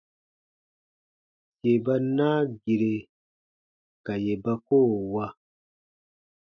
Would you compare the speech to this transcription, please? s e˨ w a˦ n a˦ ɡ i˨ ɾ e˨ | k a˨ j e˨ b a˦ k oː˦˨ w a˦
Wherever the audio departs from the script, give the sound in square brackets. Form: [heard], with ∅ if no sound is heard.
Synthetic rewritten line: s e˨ [b] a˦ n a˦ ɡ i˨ ɾ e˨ | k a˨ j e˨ b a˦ k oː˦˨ w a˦

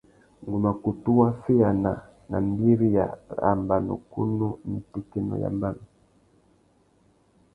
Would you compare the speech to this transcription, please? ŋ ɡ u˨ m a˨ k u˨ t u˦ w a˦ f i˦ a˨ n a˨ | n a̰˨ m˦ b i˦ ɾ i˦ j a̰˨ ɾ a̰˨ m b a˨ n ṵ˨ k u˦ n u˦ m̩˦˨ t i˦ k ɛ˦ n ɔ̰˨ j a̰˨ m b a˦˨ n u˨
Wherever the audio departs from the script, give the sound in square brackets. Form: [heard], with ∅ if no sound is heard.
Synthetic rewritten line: ŋ ɡ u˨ m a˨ k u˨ t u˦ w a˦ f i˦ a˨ n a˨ | n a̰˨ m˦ b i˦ ɾ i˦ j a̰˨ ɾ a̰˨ m b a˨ n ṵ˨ k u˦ n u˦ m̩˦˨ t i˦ k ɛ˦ n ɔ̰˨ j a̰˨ m b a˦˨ n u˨

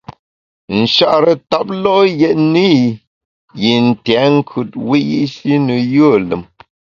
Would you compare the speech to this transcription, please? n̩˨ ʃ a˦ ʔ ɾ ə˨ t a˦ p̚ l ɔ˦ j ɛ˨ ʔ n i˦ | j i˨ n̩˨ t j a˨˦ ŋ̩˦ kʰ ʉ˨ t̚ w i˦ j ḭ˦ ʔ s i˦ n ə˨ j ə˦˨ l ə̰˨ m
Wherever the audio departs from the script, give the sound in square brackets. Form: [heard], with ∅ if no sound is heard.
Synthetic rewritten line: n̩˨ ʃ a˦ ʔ ɾ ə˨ t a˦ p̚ l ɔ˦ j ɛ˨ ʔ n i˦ | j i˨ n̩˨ t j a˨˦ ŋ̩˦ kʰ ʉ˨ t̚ w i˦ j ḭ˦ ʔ s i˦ n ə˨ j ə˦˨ l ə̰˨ m

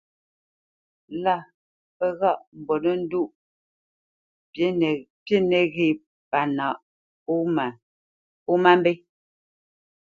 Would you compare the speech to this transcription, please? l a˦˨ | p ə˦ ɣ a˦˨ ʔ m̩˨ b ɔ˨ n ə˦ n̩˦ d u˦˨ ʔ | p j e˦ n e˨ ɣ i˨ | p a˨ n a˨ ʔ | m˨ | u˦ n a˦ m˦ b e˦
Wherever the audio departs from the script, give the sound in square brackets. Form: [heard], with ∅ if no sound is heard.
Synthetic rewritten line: l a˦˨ | p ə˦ ɣ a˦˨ ʔ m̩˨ b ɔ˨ n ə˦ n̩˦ d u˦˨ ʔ | p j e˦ n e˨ ɣ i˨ | p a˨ n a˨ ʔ | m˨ | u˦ [m] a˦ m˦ b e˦

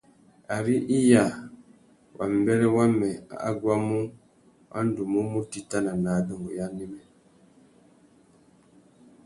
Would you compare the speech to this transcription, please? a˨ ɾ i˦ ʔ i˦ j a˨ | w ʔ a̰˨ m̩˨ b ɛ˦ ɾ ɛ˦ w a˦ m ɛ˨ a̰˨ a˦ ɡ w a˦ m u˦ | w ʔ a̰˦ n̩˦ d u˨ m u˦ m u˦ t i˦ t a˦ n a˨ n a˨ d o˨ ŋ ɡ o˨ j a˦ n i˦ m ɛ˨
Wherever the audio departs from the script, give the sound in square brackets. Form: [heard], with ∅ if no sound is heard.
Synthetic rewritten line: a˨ ɾ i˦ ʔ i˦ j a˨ | w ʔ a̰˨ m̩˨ b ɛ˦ ɾ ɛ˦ w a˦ m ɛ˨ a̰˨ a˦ ɡ w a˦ m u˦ | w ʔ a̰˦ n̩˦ d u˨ m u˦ m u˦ t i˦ t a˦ n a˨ n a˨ d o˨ ŋ ɡ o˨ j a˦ n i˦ m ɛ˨

